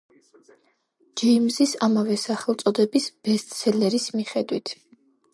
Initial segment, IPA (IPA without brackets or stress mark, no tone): d͡ʒ